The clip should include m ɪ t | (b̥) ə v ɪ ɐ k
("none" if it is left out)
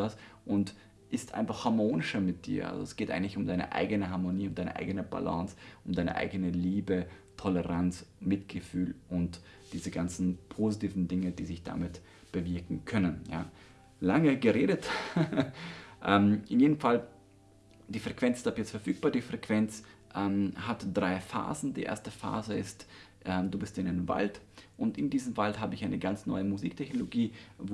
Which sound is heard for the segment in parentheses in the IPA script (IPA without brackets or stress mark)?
b̥